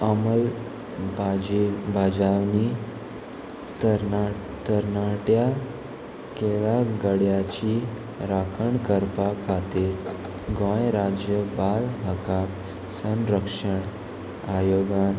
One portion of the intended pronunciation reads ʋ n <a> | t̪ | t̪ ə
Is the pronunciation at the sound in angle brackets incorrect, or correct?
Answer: incorrect